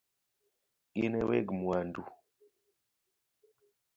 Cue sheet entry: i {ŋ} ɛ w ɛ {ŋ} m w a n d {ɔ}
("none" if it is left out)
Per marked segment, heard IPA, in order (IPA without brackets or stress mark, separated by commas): n, ɡ, u